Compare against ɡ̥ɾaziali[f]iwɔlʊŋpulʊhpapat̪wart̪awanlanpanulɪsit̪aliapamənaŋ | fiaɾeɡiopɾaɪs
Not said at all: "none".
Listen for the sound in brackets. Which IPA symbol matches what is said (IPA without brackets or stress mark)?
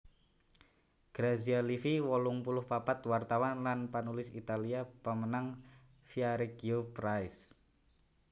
f